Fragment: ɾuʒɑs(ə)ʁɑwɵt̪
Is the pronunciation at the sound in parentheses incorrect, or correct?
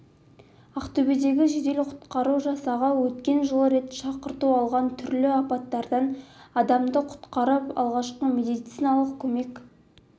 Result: incorrect